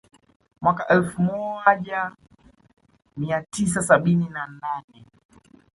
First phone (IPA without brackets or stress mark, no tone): m